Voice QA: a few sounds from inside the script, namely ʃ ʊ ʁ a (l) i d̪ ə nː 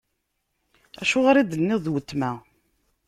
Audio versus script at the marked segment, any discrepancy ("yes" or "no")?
yes